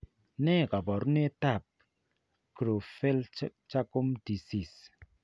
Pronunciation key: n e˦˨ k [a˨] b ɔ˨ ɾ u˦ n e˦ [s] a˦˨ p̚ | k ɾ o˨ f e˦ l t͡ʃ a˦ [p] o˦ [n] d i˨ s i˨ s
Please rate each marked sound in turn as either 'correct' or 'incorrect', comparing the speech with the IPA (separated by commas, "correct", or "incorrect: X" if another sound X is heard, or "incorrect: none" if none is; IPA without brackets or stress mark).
correct, incorrect: t, incorrect: k, incorrect: m